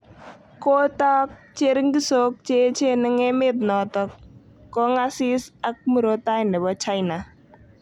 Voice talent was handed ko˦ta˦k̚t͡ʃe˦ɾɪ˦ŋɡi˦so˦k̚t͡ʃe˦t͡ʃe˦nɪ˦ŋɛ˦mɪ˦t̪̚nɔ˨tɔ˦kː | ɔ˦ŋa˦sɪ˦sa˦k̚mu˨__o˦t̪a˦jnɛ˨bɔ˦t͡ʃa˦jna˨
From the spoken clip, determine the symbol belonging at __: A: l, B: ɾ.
B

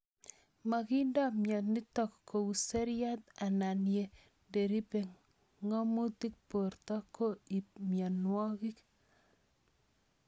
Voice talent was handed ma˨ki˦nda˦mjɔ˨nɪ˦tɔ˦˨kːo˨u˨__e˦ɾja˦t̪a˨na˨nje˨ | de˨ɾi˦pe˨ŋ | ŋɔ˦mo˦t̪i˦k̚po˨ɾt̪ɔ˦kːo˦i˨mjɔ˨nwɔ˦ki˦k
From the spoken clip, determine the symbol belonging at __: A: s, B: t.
A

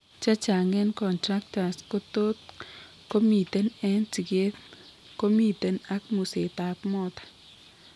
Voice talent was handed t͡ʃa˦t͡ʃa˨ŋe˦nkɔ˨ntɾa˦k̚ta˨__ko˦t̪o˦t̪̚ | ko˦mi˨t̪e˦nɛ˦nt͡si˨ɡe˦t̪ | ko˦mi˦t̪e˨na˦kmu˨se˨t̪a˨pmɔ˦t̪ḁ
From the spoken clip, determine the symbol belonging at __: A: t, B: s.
B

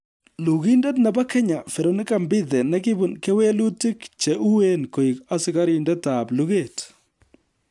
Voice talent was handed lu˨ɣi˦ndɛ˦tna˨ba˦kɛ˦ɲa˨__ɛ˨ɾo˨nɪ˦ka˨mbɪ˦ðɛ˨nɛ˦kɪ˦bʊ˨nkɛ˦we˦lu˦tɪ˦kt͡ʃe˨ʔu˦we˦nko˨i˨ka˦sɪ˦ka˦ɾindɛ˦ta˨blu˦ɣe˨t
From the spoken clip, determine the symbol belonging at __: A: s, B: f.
B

